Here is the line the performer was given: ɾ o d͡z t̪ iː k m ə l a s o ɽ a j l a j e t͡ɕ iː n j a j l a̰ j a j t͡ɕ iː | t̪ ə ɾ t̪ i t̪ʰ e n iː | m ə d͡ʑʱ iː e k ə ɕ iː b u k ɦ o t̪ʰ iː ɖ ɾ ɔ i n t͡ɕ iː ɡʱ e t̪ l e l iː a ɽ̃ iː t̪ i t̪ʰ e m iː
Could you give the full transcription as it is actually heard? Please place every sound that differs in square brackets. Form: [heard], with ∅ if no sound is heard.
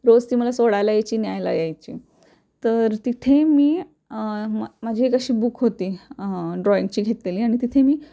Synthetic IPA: ɾ o d͡z t̪ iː [∅] m ə l a s o ɽ a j l a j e t͡ɕ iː n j a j l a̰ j a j t͡ɕ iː | t̪ ə ɾ t̪ i t̪ʰ e [m] iː | m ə d͡ʑʱ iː e k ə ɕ iː b u k ɦ o [t̪] iː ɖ ɾ ɔ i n t͡ɕ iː ɡʱ e t̪ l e l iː a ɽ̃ [i] t̪ i t̪ʰ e m iː